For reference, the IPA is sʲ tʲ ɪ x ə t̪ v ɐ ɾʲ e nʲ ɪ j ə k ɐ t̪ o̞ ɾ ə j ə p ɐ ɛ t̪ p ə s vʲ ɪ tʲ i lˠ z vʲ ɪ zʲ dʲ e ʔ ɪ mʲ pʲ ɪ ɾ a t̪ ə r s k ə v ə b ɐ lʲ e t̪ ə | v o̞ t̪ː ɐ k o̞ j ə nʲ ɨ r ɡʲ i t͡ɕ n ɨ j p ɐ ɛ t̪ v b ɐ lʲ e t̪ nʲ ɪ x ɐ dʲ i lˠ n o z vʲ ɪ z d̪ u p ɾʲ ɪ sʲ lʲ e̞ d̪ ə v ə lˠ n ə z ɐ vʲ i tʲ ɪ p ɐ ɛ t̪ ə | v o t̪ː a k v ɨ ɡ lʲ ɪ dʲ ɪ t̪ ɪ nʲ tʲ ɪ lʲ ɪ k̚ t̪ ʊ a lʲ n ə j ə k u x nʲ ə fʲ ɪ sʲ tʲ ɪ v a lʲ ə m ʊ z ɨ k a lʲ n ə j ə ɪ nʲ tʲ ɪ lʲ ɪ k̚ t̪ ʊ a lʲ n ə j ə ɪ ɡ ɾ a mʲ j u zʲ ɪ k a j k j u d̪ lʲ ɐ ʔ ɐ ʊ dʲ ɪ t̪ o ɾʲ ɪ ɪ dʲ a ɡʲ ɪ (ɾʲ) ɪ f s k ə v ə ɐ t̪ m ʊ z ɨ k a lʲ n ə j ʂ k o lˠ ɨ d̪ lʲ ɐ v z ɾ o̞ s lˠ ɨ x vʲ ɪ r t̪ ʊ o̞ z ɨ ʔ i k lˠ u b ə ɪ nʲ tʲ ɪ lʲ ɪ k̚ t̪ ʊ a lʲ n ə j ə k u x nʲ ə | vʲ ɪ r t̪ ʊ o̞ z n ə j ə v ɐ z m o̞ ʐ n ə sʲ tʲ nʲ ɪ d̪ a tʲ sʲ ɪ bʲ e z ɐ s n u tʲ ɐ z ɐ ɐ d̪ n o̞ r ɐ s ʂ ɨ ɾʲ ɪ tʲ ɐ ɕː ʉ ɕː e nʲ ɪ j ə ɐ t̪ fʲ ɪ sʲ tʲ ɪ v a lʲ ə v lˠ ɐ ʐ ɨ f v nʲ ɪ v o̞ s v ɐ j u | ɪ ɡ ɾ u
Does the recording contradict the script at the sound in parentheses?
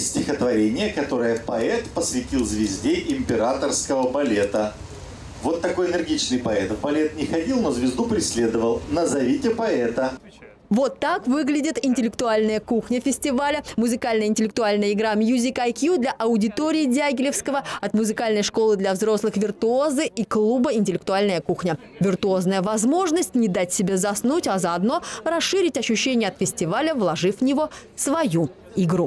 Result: yes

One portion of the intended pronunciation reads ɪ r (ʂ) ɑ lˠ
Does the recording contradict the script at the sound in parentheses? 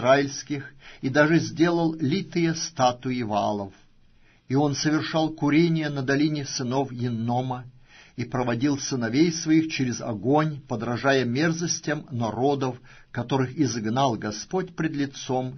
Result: no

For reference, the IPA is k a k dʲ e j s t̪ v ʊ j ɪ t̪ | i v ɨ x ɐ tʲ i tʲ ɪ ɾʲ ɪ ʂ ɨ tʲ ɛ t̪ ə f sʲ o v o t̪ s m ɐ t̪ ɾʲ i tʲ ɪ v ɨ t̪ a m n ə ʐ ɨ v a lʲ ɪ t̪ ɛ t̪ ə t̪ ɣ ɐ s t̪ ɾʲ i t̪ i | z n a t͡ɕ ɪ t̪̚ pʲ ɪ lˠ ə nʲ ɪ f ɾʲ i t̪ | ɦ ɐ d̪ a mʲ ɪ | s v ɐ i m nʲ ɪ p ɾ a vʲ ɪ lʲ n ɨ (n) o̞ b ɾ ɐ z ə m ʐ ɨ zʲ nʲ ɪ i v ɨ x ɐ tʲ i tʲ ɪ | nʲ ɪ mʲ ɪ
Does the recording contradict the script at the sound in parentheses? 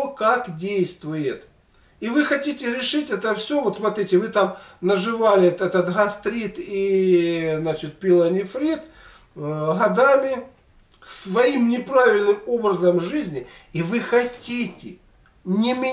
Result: yes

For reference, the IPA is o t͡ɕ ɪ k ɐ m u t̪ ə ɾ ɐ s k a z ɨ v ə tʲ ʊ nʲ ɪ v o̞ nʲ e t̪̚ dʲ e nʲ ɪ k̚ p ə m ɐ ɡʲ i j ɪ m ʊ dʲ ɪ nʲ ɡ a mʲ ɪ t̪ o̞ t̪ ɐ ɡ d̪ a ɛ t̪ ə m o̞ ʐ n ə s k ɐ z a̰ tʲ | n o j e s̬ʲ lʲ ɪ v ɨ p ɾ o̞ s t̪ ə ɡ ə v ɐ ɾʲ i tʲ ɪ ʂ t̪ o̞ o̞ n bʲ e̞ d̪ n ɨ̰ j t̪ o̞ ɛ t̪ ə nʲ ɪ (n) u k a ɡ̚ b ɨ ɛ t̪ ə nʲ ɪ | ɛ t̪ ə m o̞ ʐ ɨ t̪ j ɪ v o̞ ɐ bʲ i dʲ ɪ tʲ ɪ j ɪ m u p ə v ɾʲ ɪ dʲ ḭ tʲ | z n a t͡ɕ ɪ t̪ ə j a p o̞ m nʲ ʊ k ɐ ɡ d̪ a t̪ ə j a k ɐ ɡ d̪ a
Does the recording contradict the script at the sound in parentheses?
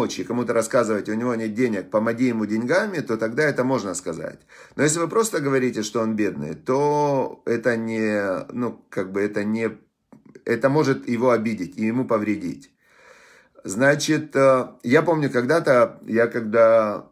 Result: no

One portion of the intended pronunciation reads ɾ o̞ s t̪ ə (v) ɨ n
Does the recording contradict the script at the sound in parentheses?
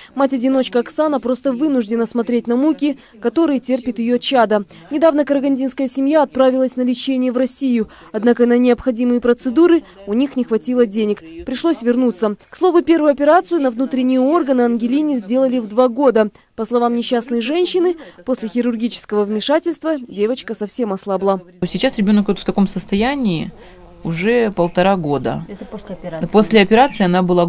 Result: no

